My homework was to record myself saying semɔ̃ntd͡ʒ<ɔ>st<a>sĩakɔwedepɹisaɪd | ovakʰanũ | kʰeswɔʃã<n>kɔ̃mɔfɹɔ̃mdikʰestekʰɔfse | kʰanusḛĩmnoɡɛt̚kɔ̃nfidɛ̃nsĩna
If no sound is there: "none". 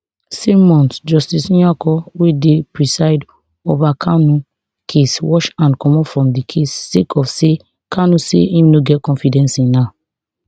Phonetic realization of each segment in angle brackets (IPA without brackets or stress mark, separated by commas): ɔ, i, n